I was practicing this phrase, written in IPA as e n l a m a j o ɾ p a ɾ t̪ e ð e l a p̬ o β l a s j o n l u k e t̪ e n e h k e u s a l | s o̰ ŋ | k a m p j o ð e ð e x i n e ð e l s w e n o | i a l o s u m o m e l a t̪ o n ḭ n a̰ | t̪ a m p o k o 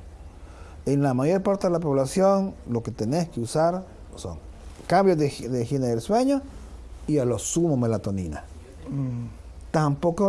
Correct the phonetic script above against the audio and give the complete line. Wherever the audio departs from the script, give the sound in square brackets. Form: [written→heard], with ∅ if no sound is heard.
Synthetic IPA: e n l a m a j o ɾ p a ɾ t̪ e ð e l a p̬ o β l a s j o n l [u→o] k e t̪ e n e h k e u s a [l→ɾ] | s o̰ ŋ | k a m [p→b] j o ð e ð e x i n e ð e l s w e [n→ɲ] o | i a l o s u m o m e l a t̪ o n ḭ n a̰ | t̪ a m p o k o